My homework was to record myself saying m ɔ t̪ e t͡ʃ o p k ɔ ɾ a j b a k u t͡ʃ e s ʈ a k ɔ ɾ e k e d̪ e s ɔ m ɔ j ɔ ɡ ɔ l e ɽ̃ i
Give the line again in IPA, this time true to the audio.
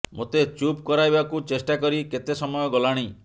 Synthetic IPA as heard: m o t̪ e t͡ʃ u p k ɔ ɾ a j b a k u t͡ʃ e s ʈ a k ɔ ɾ i k e t̪ e s ɔ m ɔ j ɔ ɡ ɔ l a ɽ̃ i